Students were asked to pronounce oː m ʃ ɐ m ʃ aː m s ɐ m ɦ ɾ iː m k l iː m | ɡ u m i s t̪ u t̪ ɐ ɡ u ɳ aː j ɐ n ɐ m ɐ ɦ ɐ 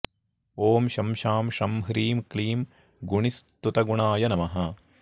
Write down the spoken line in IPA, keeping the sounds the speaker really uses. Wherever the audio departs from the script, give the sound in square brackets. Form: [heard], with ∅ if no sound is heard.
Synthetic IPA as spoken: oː m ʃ ɐ m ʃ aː m [ʃ] ɐ m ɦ ɾ iː m k l iː m | ɡ u [ɳ] i s t̪ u t̪ ɐ ɡ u ɳ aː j ɐ n ɐ m ɐ ɦ ɐ